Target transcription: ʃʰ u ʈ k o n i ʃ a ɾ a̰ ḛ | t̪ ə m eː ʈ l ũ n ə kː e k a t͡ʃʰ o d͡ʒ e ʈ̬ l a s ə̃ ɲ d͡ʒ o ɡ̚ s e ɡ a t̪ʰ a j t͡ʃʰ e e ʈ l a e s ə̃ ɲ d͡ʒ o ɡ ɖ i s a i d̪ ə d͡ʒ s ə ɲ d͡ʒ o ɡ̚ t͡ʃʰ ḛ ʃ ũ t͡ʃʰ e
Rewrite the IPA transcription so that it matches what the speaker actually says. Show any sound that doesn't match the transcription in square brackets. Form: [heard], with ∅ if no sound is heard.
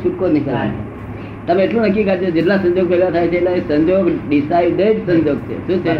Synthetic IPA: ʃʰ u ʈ k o n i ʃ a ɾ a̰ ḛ | t̪ ə m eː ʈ l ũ n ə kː [i] k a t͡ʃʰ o d͡ʒ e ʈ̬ l a s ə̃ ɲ d͡ʒ o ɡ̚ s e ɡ a t̪ʰ a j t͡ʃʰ e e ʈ l a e s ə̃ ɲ d͡ʒ o ɡ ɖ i s a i d̪ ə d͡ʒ s ə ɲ d͡ʒ o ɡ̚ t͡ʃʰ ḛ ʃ ũ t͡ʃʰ e